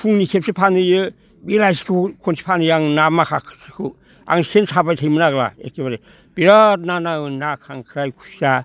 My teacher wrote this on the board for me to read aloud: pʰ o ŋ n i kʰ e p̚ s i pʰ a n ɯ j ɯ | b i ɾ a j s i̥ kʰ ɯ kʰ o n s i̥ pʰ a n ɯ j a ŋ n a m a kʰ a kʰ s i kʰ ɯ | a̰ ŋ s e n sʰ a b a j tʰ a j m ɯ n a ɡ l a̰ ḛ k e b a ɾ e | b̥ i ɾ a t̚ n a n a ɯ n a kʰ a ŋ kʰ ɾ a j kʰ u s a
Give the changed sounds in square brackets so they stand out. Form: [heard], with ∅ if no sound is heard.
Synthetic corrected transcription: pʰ [u] ŋ n i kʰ e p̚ s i pʰ a n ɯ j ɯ | b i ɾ a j s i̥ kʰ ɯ kʰ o n s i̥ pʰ a n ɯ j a ŋ n a m a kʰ a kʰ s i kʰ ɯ | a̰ ŋ s e n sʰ a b a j tʰ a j m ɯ n a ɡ l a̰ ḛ k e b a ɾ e | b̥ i ɾ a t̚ n a n a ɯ n a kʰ a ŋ kʰ ɾ a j kʰ u s a